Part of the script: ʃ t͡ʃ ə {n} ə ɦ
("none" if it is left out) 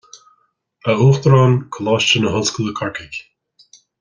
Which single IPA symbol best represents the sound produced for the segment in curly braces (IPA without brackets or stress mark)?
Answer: n